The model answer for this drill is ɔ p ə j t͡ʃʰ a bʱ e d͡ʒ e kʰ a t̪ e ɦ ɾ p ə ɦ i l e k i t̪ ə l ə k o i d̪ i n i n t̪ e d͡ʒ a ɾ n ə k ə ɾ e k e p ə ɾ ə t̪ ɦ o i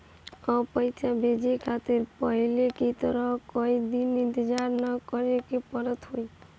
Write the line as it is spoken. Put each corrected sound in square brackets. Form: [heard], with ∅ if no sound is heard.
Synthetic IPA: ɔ p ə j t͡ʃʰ a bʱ e d͡ʒ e kʰ a t̪ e [∅] ɾ p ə ɦ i l e k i t̪ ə [ɾ] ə k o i d̪ i n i n t̪ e d͡ʒ a ɾ n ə k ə ɾ e k e p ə ɾ ə t̪ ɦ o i